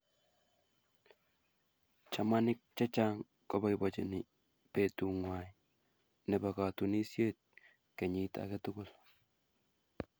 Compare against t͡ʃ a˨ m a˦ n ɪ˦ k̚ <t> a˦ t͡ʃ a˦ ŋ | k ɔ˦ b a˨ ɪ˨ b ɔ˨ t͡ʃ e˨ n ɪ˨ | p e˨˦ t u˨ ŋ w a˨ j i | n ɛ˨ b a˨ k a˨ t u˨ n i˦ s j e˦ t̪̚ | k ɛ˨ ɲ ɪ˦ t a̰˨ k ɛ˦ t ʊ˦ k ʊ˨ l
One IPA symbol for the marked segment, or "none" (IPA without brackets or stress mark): t͡ʃ